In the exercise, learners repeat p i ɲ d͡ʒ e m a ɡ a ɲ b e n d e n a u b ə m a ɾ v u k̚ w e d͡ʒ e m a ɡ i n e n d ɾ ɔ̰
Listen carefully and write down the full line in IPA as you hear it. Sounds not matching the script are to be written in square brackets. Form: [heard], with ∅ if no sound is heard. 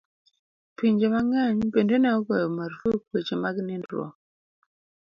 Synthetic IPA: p i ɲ d͡ʒ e m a [ŋ] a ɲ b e n d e n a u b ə m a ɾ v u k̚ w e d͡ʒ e m a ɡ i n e n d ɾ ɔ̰